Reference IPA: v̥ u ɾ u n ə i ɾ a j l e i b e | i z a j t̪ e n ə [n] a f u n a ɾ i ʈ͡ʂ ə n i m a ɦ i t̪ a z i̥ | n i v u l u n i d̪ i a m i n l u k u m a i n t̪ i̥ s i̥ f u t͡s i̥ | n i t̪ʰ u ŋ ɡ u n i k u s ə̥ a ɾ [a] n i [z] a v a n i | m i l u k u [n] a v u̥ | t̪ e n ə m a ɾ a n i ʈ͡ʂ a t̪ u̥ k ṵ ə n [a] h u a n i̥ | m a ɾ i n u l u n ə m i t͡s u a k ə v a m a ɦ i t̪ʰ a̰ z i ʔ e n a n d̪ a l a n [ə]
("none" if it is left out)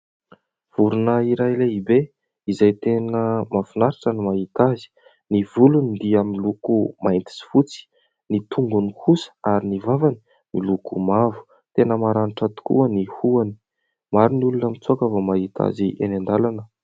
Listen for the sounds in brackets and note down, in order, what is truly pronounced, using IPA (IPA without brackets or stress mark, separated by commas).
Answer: m, i, v, m, i, ə